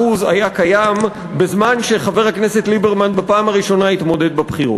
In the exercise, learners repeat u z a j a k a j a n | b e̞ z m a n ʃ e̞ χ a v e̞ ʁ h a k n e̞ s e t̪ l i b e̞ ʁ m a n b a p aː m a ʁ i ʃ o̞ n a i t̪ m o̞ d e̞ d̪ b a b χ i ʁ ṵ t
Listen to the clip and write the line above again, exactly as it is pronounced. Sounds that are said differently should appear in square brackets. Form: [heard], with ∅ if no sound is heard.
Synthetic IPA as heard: u z a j a k a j a [m] | b e̞ z m a n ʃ e̞ χ a v e̞ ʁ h a k n e̞ s e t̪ l i b e̞ ʁ m a n b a p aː m a ʁ i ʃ o̞ n a i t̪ m o̞ d e̞ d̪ b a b χ i ʁ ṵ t